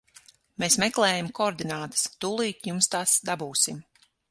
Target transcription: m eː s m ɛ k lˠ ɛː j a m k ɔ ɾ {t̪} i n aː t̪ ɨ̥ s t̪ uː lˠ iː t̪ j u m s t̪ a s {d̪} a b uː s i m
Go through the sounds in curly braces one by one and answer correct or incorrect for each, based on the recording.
incorrect: d̪, correct

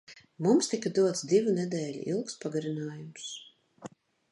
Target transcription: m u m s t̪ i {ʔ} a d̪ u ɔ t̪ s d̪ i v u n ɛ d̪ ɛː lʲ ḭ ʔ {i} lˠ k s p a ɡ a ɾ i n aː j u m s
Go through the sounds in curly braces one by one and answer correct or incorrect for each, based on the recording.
incorrect: k, correct

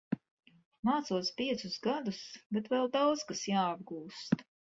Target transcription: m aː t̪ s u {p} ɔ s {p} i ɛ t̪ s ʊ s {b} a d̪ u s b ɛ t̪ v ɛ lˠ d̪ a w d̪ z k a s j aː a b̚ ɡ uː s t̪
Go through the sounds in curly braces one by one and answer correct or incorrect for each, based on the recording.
incorrect: none, correct, incorrect: ɡ

